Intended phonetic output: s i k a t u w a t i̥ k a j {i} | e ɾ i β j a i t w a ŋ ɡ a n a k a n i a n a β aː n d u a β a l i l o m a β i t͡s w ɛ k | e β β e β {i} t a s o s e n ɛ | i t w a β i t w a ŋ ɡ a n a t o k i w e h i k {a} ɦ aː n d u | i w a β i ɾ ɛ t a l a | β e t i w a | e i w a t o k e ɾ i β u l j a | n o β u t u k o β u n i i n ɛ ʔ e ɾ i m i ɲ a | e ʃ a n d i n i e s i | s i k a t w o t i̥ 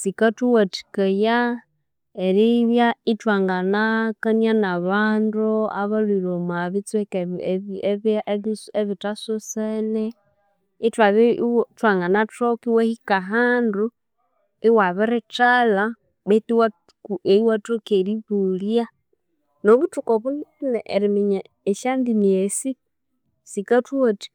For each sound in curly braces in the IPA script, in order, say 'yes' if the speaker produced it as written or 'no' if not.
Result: no, yes, yes

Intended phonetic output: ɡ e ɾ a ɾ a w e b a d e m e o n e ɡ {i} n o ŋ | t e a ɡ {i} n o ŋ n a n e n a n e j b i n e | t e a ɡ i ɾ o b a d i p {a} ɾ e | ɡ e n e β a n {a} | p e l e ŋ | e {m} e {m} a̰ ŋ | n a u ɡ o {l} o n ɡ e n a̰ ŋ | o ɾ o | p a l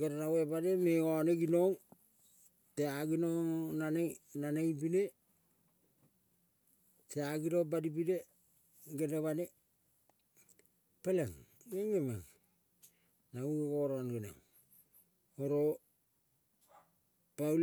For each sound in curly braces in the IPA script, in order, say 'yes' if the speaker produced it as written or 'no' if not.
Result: yes, yes, no, no, no, yes, no

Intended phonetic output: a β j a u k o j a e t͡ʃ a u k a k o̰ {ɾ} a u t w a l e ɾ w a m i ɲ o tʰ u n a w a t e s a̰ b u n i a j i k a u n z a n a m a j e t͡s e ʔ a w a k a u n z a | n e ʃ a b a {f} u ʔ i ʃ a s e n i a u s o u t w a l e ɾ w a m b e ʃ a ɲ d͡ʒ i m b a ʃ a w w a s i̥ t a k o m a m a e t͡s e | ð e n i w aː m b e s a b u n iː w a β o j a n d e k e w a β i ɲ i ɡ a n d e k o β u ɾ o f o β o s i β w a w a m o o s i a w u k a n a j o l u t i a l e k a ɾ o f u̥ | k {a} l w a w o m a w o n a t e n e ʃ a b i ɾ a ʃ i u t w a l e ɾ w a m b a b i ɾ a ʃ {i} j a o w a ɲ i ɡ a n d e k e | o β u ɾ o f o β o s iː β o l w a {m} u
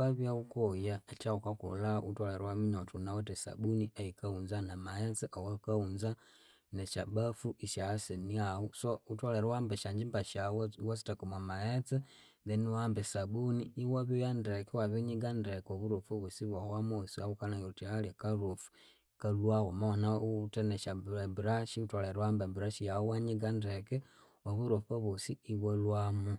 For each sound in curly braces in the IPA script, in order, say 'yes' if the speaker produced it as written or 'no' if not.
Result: no, yes, yes, yes, yes

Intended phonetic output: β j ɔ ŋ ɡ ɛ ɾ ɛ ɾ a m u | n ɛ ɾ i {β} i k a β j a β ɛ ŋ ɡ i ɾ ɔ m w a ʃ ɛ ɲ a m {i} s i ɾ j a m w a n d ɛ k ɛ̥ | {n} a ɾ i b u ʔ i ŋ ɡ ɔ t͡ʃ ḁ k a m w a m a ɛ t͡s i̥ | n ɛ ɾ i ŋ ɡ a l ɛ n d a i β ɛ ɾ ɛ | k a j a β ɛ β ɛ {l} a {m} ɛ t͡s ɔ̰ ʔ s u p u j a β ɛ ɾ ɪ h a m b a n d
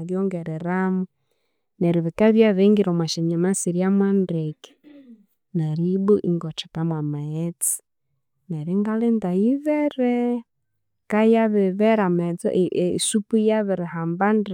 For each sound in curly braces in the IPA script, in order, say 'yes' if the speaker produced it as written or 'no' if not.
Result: yes, no, yes, no, yes

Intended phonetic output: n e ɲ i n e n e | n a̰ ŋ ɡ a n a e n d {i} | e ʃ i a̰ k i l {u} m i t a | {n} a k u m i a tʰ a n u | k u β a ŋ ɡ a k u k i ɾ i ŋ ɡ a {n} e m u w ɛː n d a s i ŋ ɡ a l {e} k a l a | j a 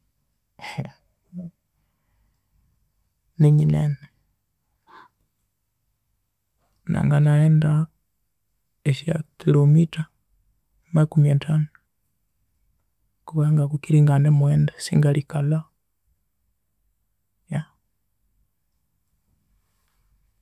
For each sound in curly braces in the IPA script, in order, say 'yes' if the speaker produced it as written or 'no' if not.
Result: no, no, no, yes, no

